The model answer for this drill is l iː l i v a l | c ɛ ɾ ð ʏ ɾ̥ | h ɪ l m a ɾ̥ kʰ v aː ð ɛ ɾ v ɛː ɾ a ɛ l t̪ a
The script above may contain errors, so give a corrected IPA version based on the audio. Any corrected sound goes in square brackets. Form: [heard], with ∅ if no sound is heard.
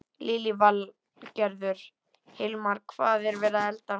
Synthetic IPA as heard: l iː l i v a l | c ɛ ɾ ð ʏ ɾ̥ | h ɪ l m a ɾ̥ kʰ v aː ð ɛ ɾ v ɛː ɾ a ɛ l t̪ a